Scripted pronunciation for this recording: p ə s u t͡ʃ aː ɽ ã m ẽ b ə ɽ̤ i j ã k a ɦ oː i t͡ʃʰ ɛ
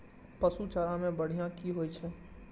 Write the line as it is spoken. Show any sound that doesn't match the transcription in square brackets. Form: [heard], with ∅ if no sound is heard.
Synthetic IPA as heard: p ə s u t͡ʃ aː [ɾ] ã m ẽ b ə ɽ̤ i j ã k [i] ɦ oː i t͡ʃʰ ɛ